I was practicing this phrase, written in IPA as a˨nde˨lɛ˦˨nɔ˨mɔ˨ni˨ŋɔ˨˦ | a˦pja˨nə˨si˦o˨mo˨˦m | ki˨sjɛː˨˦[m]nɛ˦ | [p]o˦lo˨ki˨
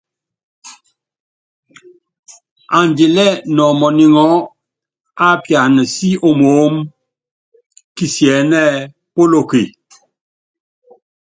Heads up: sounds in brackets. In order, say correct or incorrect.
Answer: incorrect: none, correct

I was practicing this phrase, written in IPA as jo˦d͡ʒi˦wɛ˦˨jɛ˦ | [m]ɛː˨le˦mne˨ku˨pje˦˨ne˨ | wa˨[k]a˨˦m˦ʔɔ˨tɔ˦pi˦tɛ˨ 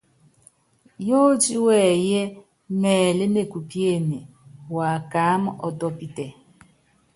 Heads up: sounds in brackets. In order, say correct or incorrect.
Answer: correct, correct

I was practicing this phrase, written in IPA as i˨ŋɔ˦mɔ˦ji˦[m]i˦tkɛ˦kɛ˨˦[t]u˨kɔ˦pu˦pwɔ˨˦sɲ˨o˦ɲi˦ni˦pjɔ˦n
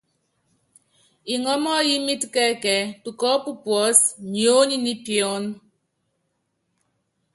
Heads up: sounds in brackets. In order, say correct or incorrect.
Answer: correct, correct

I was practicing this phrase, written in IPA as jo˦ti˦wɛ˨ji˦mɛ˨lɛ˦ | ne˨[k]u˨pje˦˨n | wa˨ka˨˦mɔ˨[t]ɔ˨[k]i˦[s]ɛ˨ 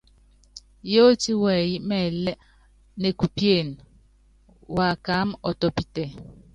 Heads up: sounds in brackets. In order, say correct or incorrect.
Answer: correct, correct, incorrect: p, incorrect: t

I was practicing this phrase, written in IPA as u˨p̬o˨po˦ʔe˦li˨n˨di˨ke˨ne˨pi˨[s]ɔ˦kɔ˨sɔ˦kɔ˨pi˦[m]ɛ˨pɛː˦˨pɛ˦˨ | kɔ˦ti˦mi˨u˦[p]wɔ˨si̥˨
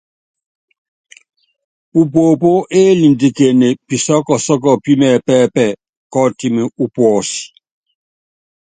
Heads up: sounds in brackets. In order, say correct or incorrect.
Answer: correct, correct, correct

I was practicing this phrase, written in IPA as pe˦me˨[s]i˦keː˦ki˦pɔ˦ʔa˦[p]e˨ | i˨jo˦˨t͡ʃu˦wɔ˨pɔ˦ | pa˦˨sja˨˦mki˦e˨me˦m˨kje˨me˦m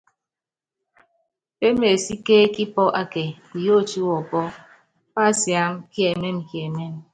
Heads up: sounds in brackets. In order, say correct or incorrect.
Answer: correct, incorrect: k

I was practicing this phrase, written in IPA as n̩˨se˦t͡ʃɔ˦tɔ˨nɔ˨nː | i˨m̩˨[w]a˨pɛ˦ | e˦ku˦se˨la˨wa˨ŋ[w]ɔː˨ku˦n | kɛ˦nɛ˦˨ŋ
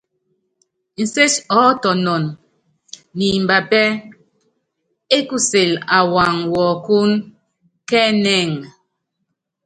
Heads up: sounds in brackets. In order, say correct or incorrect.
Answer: incorrect: b, correct

